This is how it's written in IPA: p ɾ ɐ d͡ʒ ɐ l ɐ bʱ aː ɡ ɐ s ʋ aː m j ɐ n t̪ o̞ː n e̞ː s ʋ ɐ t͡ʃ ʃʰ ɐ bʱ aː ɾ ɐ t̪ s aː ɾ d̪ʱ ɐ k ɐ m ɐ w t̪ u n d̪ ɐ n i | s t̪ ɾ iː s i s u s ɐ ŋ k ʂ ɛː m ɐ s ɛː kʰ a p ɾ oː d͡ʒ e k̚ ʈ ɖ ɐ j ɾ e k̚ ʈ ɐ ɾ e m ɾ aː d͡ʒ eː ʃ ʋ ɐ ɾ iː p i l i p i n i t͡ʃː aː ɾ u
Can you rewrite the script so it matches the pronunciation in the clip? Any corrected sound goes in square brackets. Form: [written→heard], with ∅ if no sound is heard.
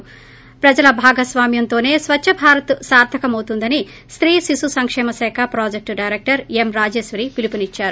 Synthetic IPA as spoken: p ɾ ɐ d͡ʒ ɐ l ɐ bʱ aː ɡ ɐ s ʋ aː m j ɐ n t̪ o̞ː n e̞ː s ʋ ɐ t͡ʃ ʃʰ ɐ bʱ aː ɾ ɐ t̪ s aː ɾ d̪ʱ ɐ k ɐ m ɐ w t̪ u n d̪ ɐ n i | s t̪ ɾ iː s i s u s ɐ ŋ k ʂ ɛː m ɐ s ɛː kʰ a p ɾ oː d͡ʒ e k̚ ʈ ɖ ɐ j ɾ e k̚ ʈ ɐ ɾ e m ɾ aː d͡ʒ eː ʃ ʋ ɐ ɾ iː p i l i p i n i t͡ʃː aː ɾ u